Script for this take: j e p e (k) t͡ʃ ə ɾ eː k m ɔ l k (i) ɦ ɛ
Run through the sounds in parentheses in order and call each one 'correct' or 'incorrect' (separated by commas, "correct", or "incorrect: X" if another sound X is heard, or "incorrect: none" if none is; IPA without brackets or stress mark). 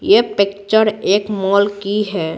correct, correct